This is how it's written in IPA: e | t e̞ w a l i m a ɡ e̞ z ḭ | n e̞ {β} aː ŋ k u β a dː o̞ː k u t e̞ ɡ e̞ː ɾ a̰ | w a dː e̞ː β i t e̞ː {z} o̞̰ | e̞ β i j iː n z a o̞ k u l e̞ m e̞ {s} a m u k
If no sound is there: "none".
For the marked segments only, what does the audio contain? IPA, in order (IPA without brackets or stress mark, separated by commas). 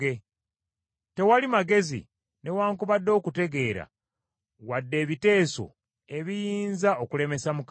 w, s, s